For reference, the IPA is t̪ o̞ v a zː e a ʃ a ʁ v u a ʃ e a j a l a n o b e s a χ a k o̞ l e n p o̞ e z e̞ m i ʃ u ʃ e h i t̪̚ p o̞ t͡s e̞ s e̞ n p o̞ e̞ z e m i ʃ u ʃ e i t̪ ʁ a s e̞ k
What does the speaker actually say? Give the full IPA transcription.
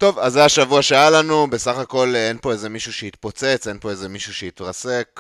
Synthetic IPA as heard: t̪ o̞ v a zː e a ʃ a v u a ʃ e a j a l a n u b e s a χ a k o̞ l e n p o̞ e z e̞ m i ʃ u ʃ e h i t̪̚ p o̞ t͡s e̞ t͡s e̞ n p o̞ e̞ z e m i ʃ u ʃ e i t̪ ʁ a s e̞ k